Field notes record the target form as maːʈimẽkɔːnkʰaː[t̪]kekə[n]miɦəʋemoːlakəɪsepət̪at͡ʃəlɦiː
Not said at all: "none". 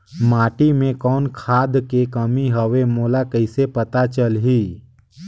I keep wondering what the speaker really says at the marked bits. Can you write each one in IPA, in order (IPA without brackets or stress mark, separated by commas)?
d̪, none